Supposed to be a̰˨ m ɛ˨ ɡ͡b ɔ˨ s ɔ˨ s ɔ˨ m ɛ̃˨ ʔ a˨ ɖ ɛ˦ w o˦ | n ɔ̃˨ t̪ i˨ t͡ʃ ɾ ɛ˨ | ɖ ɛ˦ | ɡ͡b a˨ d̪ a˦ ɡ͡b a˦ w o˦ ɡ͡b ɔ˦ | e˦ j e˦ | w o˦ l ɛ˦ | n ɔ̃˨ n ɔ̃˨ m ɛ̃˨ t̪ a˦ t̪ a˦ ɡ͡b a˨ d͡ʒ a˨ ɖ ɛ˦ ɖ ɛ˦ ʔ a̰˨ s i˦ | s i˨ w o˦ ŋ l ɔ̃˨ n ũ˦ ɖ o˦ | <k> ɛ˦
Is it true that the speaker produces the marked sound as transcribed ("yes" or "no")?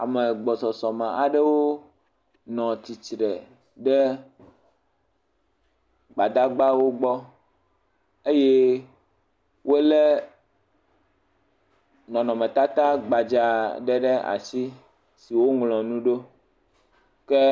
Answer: yes